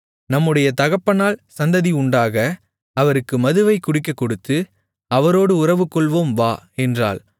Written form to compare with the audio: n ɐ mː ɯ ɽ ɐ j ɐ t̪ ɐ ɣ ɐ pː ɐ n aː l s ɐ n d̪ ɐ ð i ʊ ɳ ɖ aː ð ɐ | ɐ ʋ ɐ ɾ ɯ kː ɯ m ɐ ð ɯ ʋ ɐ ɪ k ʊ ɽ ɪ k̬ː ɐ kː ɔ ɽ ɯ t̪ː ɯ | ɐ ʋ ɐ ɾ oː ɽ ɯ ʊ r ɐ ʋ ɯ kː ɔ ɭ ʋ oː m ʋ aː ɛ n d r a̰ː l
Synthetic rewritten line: n ɐ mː ɯ ɽ ɐ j ɐ t̪ ɐ ɣ ɐ pː ɐ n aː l s ɐ n d̪ ɐ ð i ʊ ɳ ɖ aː ɣ ɐ | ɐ ʋ ɐ ɾ ɯ kː ɯ m ɐ ð ɯ ʋ ɐ ɪ k ʊ ɽ ɪ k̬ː ɐ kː ɔ ɽ ɯ t̪ː ɯ | ɐ ʋ ɐ ɾ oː ɽ ɯ ʊ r ɐ ʋ ɯ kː ɔ ɭ ʋ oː m ʋ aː ɛ n d r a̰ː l